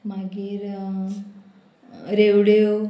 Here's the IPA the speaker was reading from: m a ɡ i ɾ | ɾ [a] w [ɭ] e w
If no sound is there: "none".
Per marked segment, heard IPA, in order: e, ɽ

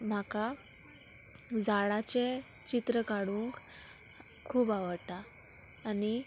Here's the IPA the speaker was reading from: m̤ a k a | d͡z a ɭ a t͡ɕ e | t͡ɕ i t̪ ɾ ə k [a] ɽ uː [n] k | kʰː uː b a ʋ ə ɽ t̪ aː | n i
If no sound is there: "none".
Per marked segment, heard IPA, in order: a, ŋ

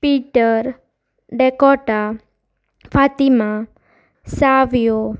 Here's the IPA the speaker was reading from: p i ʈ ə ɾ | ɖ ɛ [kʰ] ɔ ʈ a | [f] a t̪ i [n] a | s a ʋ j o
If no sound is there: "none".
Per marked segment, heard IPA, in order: k, f, m

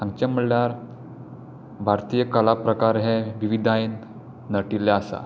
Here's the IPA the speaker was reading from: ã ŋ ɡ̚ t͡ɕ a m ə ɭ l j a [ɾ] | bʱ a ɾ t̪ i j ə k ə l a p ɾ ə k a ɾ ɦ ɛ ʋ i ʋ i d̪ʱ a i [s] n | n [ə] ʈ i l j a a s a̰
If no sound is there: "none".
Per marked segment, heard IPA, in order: ɾ, none, ə

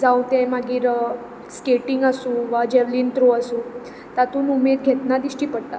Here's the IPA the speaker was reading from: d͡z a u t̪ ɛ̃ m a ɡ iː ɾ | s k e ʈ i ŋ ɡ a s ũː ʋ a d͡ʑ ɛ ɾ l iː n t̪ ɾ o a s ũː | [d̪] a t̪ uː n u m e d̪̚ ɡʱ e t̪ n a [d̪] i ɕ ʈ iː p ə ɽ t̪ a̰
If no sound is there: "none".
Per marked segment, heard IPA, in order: t̪, d̪

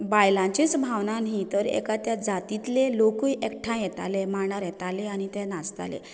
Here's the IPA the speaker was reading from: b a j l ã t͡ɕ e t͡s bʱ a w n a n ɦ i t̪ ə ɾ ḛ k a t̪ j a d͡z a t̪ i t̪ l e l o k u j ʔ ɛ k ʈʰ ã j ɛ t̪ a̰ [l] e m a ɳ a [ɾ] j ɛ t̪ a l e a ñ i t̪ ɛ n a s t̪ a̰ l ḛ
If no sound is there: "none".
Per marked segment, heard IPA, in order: l, ɾ

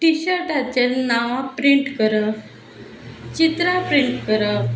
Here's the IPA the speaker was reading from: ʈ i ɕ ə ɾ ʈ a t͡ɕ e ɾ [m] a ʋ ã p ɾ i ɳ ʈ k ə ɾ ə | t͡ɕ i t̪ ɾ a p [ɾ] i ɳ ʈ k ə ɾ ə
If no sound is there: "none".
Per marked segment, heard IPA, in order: n, ɾ

